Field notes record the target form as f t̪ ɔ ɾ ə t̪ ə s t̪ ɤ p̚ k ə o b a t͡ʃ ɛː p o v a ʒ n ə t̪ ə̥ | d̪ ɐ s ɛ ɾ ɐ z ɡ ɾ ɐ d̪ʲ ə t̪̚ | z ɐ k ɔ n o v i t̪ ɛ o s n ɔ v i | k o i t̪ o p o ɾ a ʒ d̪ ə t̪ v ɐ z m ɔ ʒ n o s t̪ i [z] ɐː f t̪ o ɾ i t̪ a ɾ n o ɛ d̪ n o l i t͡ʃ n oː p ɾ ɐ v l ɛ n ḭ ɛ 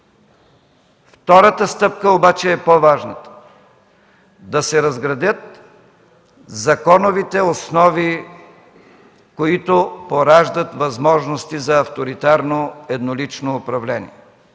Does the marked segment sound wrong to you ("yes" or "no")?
no